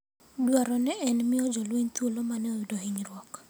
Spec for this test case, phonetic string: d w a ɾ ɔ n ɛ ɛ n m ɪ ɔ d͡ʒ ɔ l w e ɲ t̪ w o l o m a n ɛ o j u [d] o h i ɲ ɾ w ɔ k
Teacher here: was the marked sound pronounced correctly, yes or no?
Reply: yes